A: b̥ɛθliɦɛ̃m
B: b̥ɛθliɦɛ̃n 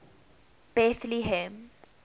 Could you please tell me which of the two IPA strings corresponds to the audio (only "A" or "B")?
A